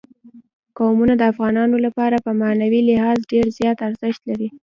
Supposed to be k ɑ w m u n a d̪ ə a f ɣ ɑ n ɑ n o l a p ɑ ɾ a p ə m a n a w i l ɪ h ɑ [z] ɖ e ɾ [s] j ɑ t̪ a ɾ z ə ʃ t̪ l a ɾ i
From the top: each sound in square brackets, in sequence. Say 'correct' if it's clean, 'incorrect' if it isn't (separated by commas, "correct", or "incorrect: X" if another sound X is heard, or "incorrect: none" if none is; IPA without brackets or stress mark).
correct, incorrect: z